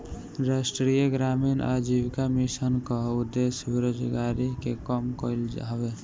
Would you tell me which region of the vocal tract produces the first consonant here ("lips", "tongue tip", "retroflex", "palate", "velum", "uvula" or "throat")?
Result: tongue tip